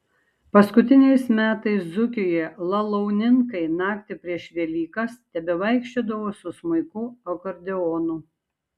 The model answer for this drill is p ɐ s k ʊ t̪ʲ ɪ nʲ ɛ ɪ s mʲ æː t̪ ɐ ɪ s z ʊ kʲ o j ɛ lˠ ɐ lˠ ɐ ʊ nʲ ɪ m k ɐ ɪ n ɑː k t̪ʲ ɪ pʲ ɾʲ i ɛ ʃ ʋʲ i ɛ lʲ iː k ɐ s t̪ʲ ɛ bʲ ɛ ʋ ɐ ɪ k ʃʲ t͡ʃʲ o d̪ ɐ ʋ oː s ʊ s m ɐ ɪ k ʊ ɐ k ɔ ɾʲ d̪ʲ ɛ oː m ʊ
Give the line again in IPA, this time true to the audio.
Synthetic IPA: p ɐ s k ʊ t̪ʲ ɪ nʲ ɛ ɪ s mʲ æː t̪ ɐ ɪ s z ʊ kʲ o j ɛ lˠ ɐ lˠ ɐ ʊ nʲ ɪ ŋ k ɐ ɪ n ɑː k t̪ʲ ɪ pʲ ɾʲ i ɛ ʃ ʋʲ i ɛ lʲ iː k ɐ s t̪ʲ ɛ bʲ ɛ ʋ ɐ ɪ k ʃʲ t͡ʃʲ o d̪ ɐ ʋ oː s ʊ s m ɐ ɪ k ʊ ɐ k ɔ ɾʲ d̪ʲ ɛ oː n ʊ